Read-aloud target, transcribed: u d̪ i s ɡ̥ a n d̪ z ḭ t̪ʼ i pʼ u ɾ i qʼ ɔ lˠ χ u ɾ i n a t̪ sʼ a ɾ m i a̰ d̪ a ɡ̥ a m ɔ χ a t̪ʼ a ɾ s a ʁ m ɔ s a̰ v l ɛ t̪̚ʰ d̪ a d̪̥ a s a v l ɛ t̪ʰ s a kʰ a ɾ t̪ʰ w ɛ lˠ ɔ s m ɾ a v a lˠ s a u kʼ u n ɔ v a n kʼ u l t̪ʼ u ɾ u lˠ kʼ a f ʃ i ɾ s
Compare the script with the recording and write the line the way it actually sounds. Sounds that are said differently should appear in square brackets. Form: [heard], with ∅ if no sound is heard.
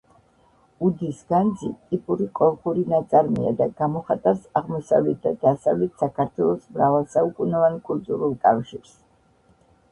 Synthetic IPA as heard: u d̪ i s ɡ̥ a n d̪ z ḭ t̪ʼ i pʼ u ɾ i qʼ ɔ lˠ χ u ɾ i n a t̪ sʼ a ɾ m i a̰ d̪ a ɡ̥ a m ɔ χ a t̪ʼ a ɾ s a ʁ m ɔ s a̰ v l ɛ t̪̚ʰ d̪ a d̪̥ a s a v l ɛ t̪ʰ s a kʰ a ɾ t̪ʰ w ɛ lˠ ɔ s m ɾ a v a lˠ s a u kʼ u n ɔ v a n kʼ u l t̪ʼ u ɾ u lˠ kʼ a f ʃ i ɾ s